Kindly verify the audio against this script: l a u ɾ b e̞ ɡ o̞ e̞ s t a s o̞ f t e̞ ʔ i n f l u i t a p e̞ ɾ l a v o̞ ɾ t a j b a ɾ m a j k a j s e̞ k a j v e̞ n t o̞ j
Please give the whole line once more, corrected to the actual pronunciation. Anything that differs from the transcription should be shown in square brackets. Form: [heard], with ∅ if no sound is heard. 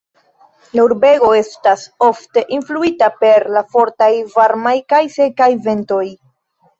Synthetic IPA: l a u ɾ b e̞ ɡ o̞ e̞ s t a s o̞ f t e̞ ʔ i n f l u i t a p e̞ ɾ l a [f] o̞ ɾ t a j [v] a ɾ m a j k a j s e̞ k a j v e̞ n t o̞ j